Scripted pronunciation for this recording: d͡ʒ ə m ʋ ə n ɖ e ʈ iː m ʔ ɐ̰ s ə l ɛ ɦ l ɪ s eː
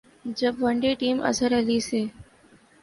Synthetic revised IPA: d͡ʒ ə b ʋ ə ɳ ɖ e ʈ iː m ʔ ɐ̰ s ə ɾ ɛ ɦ l i s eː